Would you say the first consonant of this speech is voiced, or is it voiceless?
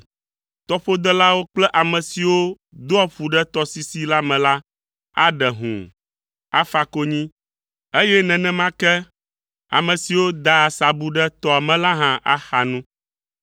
voiceless